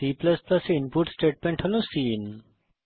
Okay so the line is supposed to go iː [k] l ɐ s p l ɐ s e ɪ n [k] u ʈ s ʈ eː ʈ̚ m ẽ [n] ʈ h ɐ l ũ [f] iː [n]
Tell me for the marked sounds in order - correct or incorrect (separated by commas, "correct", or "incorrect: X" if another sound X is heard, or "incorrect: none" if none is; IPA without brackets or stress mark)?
incorrect: p, incorrect: p, incorrect: ɳ, incorrect: s, correct